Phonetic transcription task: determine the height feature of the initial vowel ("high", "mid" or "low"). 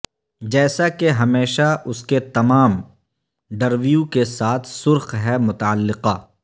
mid